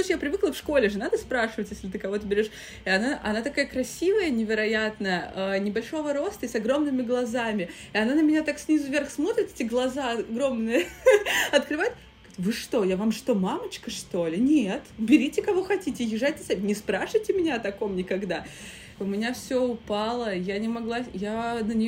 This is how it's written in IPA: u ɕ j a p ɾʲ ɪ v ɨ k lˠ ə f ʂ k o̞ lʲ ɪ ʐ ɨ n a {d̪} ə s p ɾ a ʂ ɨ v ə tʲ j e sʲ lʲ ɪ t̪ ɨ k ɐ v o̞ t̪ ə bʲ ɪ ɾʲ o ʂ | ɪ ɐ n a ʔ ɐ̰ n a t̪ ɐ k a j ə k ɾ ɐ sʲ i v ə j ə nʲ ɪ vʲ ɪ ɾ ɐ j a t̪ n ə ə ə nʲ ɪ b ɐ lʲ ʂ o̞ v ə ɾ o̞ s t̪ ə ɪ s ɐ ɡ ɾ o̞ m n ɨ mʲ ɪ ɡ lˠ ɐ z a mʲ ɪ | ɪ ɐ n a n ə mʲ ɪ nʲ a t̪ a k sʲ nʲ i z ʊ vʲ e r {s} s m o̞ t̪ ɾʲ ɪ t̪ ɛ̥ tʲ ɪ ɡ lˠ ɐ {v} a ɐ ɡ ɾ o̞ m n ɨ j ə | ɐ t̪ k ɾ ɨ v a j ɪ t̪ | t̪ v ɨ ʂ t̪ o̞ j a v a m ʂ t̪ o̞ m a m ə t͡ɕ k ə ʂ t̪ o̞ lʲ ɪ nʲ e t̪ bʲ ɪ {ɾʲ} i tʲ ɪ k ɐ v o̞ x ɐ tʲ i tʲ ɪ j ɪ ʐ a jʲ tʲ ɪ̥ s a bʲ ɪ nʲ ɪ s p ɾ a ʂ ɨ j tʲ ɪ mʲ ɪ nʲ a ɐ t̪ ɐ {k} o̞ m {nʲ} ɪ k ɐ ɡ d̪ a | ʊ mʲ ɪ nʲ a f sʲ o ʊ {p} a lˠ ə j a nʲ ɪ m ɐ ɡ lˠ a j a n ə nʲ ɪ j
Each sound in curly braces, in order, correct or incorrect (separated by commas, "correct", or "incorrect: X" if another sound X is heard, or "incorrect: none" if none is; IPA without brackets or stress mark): correct, incorrect: x, incorrect: z, correct, correct, correct, correct